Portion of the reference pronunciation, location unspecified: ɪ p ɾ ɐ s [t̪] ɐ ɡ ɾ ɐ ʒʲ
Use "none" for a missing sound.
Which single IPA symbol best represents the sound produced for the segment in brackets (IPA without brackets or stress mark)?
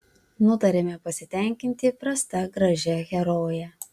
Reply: t̪